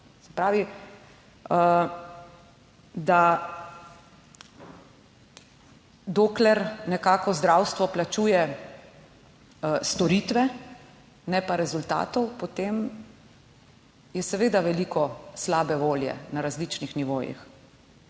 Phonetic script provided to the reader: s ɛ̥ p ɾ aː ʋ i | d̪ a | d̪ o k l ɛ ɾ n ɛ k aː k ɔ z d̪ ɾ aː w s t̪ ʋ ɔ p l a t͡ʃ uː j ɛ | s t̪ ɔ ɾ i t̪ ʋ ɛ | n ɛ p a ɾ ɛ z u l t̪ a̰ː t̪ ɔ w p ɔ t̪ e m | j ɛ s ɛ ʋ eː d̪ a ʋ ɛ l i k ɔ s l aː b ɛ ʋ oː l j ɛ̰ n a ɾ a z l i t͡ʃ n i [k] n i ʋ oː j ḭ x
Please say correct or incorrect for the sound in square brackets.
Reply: incorrect